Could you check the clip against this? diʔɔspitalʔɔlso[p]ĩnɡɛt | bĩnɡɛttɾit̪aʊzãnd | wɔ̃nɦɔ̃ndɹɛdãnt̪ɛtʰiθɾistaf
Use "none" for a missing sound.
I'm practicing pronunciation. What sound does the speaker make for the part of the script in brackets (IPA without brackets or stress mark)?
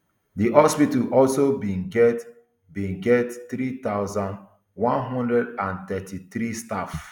b